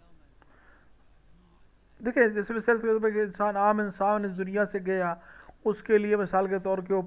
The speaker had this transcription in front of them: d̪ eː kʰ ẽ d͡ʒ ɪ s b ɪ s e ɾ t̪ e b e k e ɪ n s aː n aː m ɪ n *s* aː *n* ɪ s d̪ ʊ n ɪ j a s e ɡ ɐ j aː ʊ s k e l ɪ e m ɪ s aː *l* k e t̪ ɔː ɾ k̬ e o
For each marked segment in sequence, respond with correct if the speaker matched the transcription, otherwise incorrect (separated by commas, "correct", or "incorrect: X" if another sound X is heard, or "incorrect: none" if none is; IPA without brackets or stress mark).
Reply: correct, correct, correct